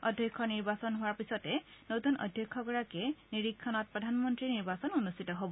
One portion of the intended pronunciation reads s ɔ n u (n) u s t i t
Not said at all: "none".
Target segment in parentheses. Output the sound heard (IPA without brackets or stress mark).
n